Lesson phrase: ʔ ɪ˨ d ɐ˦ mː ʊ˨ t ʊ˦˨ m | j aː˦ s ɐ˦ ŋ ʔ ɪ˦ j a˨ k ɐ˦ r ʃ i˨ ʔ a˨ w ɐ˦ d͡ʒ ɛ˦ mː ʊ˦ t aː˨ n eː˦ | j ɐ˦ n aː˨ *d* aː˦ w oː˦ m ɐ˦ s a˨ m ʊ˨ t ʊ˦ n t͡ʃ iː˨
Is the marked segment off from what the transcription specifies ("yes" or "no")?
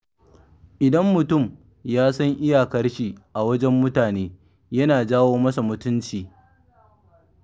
yes